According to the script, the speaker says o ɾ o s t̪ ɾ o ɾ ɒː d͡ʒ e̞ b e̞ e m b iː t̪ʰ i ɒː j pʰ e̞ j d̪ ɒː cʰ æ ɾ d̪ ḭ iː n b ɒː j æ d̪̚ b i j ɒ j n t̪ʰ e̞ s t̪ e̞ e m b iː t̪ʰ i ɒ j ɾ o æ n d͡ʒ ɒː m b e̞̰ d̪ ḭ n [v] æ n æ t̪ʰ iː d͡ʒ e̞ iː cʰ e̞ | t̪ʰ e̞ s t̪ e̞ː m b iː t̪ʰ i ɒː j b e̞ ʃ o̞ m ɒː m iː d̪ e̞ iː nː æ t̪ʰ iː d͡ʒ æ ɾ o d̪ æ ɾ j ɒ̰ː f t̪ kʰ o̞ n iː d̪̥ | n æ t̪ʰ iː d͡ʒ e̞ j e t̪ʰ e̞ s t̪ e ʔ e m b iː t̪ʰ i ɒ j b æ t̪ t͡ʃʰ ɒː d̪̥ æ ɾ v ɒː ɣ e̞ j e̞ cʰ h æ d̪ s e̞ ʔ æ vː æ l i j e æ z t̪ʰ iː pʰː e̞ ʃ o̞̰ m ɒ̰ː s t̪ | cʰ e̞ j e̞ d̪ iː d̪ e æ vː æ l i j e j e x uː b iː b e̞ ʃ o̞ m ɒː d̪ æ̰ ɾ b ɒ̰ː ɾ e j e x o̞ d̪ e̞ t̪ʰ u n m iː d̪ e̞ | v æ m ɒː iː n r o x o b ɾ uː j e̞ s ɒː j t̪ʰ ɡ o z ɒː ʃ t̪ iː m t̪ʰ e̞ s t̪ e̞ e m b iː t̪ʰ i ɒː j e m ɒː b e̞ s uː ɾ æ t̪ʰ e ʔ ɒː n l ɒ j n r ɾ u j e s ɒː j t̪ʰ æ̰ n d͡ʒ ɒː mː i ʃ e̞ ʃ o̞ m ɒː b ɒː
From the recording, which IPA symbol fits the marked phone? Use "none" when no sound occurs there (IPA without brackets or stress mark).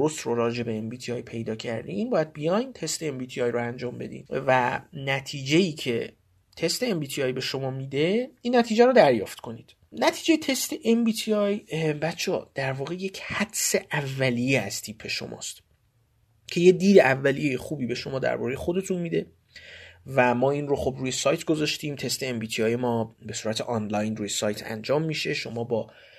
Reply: v